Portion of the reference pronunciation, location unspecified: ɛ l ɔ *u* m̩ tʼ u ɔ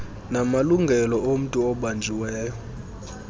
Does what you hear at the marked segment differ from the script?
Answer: yes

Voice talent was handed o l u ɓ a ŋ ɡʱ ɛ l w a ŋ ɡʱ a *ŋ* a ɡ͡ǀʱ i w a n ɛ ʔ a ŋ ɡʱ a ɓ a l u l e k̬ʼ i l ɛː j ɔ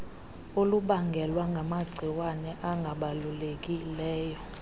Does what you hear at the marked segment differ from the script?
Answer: yes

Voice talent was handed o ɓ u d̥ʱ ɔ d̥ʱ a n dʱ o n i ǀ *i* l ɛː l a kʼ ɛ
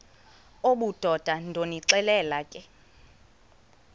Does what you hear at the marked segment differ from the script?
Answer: yes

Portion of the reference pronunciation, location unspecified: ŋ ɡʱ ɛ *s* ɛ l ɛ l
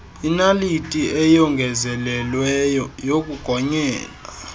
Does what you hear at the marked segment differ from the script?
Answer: yes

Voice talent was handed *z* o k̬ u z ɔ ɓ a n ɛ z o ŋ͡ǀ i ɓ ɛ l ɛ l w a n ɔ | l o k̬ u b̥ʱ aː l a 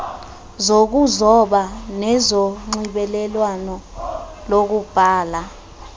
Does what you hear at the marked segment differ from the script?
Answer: no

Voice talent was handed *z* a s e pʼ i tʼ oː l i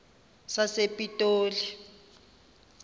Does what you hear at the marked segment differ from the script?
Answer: yes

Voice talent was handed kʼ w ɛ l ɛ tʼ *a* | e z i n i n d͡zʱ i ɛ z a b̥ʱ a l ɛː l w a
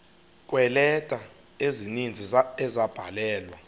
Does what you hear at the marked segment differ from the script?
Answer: no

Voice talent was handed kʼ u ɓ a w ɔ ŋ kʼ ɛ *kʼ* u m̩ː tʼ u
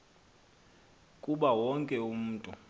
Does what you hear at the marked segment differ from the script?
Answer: yes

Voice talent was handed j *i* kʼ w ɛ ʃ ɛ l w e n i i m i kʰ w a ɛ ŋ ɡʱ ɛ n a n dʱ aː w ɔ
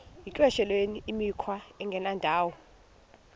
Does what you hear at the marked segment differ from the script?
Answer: no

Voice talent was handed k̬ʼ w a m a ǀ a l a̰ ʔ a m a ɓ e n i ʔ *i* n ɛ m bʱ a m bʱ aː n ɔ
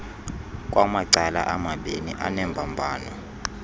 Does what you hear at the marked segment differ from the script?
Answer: yes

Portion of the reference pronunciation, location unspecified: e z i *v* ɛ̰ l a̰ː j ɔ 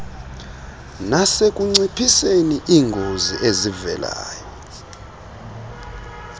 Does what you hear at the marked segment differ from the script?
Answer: no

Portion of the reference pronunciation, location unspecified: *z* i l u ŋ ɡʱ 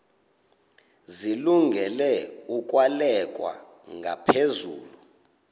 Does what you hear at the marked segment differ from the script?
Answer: no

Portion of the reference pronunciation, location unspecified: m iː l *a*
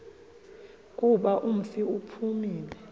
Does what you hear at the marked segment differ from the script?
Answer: yes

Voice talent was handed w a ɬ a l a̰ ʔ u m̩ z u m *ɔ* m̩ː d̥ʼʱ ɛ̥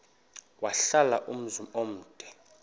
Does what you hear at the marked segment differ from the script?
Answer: yes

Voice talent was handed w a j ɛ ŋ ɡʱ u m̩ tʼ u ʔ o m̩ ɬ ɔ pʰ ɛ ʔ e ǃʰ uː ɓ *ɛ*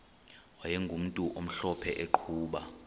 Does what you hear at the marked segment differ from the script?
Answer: yes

